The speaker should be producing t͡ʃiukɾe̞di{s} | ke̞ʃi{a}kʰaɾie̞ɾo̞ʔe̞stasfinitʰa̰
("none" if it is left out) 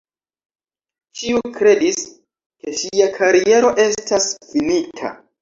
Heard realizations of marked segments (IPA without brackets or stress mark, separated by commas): s, a